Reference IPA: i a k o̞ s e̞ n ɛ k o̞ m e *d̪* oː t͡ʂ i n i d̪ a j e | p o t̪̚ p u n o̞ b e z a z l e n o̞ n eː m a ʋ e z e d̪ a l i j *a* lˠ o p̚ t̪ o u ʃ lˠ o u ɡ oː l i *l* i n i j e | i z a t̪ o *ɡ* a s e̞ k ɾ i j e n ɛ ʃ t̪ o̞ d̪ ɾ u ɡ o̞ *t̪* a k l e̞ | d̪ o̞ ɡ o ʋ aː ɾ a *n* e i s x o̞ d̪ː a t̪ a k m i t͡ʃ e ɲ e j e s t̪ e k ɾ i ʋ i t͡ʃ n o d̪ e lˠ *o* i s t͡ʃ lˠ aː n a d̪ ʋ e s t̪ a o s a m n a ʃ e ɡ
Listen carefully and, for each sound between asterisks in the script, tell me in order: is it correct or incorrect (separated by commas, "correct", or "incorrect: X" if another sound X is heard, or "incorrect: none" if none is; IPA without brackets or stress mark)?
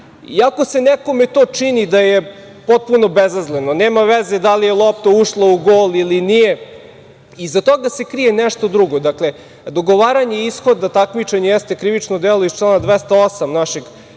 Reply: incorrect: t̪, incorrect: e, correct, correct, incorrect: d̪, incorrect: ɲ, correct